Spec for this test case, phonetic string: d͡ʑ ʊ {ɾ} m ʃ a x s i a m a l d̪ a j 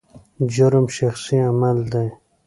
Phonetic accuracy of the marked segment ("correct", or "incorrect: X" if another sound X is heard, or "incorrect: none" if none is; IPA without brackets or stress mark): correct